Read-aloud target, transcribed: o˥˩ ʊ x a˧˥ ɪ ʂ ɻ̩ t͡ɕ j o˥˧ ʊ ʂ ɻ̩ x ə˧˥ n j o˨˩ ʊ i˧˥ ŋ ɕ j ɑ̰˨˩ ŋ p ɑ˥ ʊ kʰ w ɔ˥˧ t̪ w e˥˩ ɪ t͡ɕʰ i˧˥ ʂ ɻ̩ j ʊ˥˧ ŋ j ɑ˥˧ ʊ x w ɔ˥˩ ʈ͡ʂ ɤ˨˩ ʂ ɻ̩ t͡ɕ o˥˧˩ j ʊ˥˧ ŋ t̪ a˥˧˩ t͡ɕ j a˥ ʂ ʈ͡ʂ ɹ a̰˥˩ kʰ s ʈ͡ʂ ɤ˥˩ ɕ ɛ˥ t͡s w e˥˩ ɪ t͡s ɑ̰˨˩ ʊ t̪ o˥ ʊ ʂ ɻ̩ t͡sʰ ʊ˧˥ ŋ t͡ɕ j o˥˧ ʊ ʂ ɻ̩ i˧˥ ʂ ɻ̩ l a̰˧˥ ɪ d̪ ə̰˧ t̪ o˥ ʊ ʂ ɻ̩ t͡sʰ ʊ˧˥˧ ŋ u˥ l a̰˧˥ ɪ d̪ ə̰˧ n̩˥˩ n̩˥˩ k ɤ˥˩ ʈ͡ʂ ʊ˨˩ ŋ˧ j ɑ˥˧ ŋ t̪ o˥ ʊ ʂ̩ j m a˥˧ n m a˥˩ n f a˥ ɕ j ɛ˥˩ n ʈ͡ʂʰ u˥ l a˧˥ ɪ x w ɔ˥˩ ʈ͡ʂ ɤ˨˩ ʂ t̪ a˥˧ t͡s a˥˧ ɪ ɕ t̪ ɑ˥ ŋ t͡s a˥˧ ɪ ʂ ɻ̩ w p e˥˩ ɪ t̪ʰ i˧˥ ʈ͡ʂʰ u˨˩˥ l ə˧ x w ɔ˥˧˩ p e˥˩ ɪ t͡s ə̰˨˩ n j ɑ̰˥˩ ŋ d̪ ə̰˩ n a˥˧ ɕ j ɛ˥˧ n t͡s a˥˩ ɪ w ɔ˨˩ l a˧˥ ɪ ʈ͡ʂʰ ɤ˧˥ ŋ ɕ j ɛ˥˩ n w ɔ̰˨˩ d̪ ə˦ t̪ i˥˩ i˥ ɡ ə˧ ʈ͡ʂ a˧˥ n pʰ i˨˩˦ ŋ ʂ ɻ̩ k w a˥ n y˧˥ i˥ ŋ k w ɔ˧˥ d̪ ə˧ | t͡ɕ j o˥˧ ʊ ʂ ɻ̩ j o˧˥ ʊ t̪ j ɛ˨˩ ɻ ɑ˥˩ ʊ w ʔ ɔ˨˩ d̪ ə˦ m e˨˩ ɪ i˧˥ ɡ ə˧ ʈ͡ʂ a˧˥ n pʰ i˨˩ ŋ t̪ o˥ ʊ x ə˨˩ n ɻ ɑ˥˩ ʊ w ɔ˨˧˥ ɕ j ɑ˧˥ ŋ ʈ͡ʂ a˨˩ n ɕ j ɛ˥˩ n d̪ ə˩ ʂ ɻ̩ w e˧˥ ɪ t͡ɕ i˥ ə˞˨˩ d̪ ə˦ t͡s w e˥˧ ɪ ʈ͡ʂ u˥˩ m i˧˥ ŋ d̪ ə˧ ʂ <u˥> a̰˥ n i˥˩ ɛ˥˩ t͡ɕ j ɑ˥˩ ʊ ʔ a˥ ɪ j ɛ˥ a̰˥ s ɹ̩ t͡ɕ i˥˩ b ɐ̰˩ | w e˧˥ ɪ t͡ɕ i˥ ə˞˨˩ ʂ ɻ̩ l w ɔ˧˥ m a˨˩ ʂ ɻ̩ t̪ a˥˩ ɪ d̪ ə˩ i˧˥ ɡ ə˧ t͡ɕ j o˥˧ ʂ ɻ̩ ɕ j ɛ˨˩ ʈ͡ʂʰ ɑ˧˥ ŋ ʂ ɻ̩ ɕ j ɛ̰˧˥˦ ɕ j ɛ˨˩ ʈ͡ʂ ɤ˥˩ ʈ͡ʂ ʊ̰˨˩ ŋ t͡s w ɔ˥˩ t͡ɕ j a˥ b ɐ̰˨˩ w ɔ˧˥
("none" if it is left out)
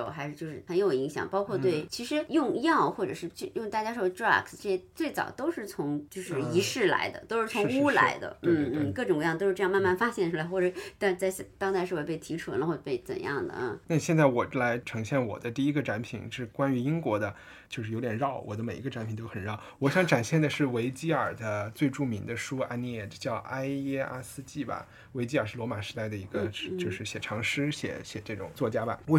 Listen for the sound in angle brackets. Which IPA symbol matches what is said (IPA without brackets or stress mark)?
u˥